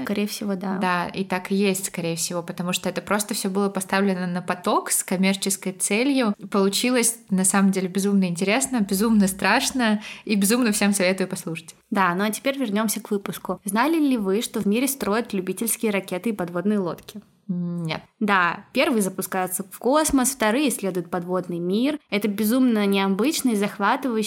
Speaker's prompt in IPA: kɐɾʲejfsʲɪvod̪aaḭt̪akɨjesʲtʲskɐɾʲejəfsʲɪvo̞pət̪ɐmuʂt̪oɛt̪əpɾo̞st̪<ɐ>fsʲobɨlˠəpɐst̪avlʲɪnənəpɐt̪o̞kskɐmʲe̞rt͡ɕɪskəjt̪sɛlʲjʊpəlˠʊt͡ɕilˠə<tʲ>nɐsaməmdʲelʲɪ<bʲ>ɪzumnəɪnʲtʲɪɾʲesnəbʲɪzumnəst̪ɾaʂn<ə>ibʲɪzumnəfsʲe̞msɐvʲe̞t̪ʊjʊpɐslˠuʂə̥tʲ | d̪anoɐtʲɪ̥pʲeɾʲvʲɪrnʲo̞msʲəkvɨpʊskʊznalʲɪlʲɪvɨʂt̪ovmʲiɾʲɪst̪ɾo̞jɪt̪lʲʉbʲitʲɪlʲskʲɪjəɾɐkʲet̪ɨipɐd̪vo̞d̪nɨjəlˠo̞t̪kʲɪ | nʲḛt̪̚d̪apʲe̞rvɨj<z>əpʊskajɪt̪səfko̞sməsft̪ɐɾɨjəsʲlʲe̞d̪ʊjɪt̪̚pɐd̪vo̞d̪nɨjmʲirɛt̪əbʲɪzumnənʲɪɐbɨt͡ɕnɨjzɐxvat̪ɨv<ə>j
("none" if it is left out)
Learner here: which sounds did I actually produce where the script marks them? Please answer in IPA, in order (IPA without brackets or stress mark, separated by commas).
ə, sʲ, bʲ, ə, z, ə